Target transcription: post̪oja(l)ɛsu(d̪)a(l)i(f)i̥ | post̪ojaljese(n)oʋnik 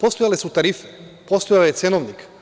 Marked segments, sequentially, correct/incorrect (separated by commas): correct, incorrect, incorrect, correct, correct